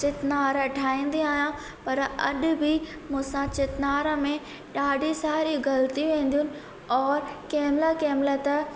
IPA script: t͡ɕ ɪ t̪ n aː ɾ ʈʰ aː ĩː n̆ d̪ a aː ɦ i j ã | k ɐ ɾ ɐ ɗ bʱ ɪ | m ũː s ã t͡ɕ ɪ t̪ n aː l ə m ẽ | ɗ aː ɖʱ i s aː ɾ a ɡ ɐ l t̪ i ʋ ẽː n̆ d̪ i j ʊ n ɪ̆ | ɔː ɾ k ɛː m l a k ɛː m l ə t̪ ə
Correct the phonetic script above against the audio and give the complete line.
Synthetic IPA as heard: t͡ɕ ɪ t̪ n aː ɾ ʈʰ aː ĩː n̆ d̪ i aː ɦ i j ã | p ɐ ɾ ɐ ɗ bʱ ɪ | m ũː s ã t͡ɕ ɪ t̪ n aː ɾ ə m ẽ | ɗ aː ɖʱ i s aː ɾ i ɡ ɐ l t̪ i ʋ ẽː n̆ d̪ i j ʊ n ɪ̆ | ɔː ɾ k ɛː m l a k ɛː m l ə t̪ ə